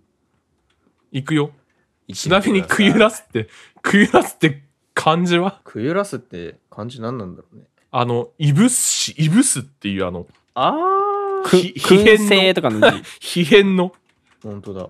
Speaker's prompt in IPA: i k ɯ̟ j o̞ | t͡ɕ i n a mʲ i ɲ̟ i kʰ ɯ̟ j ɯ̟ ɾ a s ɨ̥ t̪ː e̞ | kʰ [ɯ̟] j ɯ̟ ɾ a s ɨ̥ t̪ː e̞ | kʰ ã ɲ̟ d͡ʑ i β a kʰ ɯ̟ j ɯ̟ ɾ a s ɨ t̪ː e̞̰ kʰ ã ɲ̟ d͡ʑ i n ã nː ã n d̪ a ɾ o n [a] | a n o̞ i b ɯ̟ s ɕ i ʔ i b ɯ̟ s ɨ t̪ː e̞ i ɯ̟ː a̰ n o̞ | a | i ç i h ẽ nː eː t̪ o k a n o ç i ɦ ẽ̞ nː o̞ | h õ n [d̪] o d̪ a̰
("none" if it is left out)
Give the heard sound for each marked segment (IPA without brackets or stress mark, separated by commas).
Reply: ɯ̟, e, t̪